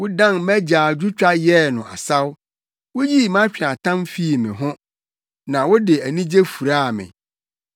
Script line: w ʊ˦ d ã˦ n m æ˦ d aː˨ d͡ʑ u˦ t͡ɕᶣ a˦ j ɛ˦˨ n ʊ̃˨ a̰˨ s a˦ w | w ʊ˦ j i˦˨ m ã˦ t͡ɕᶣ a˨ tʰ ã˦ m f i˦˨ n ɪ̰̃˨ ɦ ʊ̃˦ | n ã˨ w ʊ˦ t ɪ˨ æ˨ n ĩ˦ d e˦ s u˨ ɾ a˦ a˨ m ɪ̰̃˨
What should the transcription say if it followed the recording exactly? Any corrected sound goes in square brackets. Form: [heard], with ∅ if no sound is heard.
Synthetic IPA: w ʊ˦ d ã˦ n m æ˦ [d͡ʑ] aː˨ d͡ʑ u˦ t͡ɕᶣ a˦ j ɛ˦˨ n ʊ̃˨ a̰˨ s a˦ w | w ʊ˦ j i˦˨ m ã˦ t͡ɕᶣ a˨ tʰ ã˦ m f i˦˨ [m] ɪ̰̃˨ ɦ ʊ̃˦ | n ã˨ w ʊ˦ [d] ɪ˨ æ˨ n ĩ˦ [d͡ʑ] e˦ [f] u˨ ɾ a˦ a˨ m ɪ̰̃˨